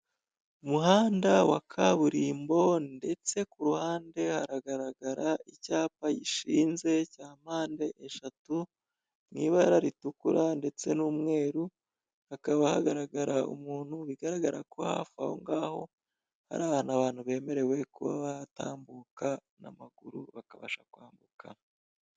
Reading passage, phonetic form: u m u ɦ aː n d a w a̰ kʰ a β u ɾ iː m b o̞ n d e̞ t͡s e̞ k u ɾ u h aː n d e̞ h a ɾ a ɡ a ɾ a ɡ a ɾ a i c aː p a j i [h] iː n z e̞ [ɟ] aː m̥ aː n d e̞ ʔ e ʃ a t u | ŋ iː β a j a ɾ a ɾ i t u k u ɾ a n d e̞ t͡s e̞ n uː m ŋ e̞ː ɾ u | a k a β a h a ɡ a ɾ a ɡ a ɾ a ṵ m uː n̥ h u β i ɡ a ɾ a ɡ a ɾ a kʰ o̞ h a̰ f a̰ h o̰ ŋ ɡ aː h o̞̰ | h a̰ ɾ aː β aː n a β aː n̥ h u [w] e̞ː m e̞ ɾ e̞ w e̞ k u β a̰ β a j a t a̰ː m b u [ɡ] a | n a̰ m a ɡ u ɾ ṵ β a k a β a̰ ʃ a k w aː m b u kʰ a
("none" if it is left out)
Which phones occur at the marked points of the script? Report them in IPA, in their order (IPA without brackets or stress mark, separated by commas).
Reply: ʃ, c, β, k